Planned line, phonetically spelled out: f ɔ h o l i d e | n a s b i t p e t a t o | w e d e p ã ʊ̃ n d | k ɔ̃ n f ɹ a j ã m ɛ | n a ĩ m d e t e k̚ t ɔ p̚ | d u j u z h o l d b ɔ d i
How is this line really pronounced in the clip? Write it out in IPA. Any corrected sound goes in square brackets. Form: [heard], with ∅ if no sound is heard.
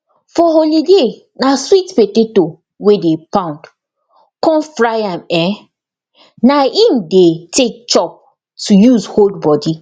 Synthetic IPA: f ɔ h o l i d e | n a s [w] i t p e t [e] t o | w e d e p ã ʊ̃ n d | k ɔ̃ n f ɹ a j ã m ɛ | n a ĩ m d e t e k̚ [t͡ʃ] ɔ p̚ | [t] u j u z h o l d b ɔ d i